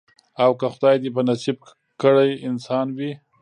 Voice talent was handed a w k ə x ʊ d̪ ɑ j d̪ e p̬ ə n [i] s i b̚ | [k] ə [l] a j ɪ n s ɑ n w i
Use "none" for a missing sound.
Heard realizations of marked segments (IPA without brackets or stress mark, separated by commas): a, k, ɽ